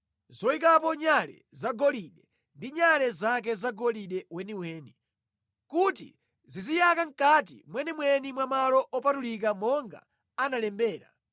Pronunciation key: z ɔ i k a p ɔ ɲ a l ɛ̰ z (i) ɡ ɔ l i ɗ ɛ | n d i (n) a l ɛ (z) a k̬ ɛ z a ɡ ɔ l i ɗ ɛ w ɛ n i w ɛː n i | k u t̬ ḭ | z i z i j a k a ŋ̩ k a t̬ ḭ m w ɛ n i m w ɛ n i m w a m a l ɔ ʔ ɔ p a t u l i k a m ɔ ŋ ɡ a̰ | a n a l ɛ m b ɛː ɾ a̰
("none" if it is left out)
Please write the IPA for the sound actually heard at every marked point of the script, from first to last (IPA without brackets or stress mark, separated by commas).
a, ɲ, z